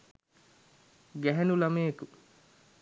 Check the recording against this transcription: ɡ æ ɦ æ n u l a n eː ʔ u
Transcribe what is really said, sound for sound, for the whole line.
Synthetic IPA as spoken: ɡ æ ɦ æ n u l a m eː k u